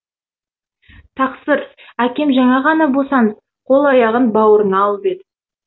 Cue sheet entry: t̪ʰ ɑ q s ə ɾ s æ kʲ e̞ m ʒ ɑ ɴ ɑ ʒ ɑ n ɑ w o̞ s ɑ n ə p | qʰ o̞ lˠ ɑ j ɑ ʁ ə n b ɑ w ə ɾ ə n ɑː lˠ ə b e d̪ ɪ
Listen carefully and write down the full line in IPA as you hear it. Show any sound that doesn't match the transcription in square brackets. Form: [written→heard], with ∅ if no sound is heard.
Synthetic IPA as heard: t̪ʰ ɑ q s ə ɾ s æ kʲ e̞ m ʒ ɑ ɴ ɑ [ʒ→ʁ] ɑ n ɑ [w→b] o̞ s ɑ n ə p | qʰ o̞ lˠ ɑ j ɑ ʁ ə n b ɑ w ə ɾ ə n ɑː lˠ ə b e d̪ ɪ